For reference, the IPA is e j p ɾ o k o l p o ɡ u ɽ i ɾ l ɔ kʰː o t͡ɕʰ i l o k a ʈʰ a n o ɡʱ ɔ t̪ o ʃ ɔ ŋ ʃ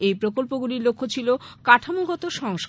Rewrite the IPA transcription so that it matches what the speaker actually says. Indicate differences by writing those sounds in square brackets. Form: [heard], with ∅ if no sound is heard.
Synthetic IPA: e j p ɾ o k o l p o ɡ u [l] i ɾ l [o] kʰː o t͡ɕʰ i l o k a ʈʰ a [m] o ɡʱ ɔ t̪ o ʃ ɔ ŋ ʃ